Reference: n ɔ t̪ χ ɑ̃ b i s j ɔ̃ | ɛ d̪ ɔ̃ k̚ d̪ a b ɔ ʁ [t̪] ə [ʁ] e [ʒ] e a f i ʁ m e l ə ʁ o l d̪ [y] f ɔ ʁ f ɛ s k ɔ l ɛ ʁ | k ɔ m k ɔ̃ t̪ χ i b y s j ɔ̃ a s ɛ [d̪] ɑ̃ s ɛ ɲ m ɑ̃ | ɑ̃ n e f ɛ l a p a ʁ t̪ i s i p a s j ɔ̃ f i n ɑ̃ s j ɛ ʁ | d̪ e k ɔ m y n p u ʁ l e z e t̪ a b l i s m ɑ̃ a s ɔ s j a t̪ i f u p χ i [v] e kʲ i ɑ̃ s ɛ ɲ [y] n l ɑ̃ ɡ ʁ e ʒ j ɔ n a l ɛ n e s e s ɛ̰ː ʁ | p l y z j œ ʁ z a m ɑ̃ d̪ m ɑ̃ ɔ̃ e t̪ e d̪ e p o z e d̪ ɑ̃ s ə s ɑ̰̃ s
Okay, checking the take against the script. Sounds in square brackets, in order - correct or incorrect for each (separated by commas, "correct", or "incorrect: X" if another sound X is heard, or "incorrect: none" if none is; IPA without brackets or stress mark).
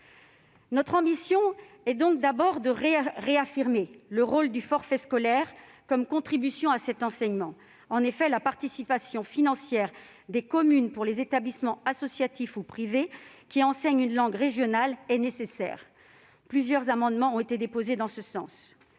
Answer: incorrect: d̪, correct, incorrect: ʁ, correct, incorrect: t̪, correct, correct